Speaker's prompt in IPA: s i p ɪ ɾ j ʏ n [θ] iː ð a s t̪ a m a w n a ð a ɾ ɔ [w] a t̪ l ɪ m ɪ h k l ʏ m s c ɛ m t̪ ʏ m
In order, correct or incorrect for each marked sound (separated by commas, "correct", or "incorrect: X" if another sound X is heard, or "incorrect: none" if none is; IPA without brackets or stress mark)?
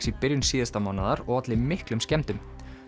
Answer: incorrect: s, incorrect: ɣ